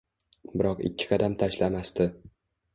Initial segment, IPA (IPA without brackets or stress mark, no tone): b